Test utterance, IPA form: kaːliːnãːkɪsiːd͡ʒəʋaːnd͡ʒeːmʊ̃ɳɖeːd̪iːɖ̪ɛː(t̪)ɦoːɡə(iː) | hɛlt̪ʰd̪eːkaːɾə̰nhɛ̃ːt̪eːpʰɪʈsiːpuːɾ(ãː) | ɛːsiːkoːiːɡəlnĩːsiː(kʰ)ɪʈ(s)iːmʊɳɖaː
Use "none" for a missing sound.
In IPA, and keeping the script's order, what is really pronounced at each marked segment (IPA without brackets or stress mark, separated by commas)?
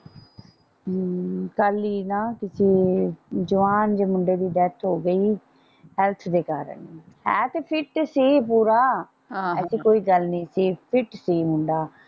t̪ʰ, iː, aː, pʰ, s